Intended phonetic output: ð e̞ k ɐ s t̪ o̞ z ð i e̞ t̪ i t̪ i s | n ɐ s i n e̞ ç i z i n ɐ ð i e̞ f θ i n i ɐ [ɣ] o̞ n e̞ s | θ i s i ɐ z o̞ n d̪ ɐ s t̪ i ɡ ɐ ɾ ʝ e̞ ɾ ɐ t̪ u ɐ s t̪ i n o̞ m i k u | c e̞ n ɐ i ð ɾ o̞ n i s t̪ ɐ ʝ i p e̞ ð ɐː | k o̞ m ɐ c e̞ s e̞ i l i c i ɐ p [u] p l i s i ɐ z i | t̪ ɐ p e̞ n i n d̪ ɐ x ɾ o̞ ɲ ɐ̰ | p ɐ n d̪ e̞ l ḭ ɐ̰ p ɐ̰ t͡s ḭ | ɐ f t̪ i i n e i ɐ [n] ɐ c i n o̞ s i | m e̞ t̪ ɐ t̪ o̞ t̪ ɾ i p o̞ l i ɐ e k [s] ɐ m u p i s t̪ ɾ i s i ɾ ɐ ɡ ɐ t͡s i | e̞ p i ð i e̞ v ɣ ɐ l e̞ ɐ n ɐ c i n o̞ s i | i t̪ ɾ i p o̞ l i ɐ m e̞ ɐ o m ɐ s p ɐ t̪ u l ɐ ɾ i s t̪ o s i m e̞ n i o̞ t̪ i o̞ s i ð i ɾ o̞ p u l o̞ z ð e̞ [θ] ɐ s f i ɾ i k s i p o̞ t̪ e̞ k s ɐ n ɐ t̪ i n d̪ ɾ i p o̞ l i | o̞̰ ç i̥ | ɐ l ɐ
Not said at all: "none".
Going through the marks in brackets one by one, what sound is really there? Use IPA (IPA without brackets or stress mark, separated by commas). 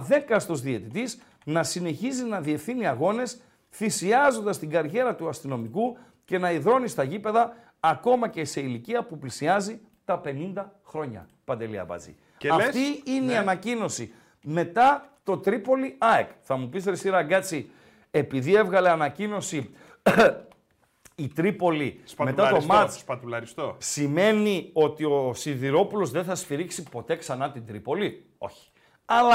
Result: ɣ, u, n, θ, θ